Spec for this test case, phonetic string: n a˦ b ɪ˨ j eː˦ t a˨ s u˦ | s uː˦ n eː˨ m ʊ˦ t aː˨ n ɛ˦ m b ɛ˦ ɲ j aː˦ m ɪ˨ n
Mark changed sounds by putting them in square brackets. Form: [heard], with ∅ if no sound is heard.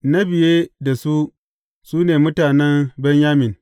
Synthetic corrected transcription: n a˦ b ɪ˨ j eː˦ [d] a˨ s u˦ | s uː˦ n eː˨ m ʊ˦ t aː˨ n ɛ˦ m b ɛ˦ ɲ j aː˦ m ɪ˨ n